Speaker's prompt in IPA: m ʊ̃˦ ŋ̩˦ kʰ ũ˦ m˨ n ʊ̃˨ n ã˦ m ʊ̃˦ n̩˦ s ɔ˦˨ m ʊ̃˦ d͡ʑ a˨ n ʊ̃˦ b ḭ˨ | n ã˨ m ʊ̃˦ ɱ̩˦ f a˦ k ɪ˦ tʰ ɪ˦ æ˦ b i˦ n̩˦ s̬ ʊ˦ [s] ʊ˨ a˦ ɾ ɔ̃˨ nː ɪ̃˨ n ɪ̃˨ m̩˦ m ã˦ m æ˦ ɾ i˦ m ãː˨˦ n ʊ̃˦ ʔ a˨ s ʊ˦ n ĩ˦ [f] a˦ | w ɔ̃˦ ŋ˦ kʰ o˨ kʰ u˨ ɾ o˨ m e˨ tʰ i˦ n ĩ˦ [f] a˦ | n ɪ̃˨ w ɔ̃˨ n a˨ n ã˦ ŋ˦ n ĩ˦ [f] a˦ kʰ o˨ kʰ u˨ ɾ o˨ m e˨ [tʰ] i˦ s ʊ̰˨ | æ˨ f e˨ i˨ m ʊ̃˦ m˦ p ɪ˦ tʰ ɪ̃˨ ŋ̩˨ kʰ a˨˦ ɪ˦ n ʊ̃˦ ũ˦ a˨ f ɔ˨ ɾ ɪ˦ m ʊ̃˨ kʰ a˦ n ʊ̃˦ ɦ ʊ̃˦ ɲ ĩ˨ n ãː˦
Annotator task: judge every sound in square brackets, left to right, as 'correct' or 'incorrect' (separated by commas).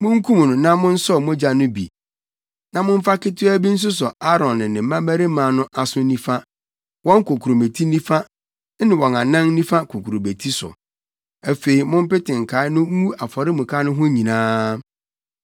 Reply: correct, correct, correct, correct, correct